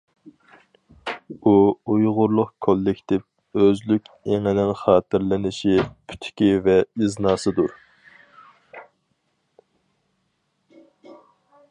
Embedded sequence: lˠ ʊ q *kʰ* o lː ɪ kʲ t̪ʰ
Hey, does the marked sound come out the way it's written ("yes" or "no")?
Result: yes